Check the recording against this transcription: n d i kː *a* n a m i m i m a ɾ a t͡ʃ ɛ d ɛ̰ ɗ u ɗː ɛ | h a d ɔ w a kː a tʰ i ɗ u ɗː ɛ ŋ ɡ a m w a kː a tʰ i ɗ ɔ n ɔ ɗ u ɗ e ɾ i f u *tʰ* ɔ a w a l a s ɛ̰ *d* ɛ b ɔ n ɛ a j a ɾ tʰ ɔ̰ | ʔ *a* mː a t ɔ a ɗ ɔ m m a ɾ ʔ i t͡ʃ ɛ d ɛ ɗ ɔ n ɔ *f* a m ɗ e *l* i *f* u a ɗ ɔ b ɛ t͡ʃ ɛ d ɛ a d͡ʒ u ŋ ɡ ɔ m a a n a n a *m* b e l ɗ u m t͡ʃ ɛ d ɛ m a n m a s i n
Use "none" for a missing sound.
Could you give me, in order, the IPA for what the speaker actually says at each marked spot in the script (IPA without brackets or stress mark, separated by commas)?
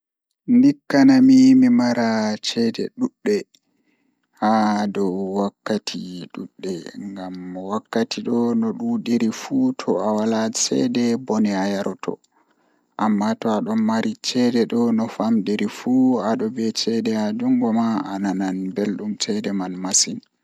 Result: a, tʰ, d, a, f, ɾ, f, n